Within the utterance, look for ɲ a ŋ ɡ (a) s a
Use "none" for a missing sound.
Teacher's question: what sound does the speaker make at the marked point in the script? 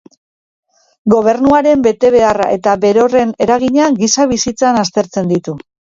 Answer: i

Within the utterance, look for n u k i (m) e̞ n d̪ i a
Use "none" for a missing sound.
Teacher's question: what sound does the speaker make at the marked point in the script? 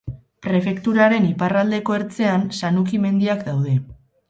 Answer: m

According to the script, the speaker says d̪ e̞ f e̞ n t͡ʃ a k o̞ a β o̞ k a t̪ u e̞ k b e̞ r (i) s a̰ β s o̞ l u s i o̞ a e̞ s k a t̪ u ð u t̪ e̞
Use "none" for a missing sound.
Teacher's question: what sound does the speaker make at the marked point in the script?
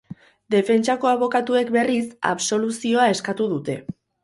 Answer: i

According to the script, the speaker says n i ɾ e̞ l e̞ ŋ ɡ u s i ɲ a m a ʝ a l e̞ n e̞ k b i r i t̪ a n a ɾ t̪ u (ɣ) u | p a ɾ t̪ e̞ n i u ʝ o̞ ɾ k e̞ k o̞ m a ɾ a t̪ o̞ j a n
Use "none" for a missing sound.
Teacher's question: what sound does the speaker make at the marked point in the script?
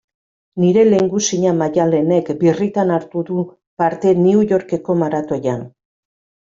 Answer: ð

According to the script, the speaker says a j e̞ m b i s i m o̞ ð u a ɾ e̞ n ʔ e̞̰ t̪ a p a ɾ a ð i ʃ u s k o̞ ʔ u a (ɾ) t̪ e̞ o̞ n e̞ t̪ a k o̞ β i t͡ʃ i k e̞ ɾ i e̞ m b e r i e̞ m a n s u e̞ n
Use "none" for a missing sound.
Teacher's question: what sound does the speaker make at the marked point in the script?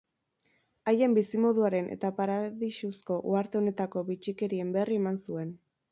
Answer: ɾ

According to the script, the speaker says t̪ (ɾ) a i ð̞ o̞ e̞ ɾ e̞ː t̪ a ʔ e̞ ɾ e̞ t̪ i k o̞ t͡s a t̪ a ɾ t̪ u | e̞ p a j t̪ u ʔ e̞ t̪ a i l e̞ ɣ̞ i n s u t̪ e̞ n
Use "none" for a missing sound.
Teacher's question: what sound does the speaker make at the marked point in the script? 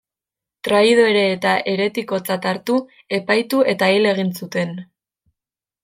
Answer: ɾ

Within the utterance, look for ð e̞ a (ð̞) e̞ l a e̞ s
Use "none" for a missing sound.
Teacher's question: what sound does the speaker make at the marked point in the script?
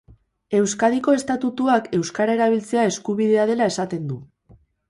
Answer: ð̞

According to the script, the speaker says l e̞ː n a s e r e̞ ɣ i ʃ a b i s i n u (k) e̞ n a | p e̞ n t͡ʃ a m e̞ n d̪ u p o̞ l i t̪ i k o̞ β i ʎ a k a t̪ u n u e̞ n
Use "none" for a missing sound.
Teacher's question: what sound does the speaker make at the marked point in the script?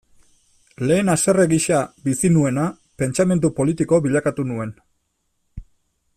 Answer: none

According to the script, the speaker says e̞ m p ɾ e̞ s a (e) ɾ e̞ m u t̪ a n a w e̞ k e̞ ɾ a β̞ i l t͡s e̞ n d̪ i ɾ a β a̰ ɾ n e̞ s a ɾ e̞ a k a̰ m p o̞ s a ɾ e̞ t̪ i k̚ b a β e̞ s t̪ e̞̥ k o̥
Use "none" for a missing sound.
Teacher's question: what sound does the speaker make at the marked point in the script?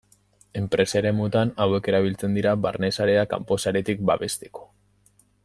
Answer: e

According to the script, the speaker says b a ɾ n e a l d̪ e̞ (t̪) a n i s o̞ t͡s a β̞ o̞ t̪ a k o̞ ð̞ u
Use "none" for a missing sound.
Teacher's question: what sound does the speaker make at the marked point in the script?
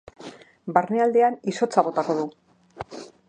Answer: none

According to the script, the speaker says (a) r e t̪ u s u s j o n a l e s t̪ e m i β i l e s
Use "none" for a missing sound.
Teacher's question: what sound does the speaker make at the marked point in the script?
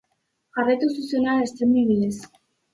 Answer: a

